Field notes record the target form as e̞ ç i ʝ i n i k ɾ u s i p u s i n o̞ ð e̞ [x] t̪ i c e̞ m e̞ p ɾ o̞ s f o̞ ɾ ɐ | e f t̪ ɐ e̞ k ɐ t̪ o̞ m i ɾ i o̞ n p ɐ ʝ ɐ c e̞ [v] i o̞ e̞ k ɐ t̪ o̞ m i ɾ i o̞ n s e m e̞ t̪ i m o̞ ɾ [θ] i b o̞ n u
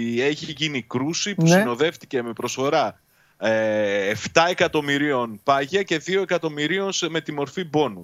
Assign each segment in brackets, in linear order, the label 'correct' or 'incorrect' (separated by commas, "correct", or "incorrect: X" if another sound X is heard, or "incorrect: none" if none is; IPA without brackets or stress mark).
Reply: incorrect: f, incorrect: ð, incorrect: f